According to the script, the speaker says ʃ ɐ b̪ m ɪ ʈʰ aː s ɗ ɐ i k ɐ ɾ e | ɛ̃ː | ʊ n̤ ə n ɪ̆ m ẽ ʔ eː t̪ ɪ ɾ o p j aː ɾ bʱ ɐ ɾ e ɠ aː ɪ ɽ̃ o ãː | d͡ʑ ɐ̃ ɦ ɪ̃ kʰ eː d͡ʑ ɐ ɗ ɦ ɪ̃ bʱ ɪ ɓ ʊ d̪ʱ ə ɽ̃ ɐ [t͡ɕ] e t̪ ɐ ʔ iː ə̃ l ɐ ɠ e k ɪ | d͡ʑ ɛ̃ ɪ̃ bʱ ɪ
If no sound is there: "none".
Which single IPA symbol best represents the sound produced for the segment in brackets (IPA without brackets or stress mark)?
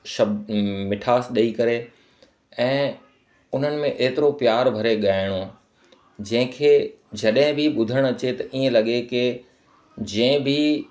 t͡ɕ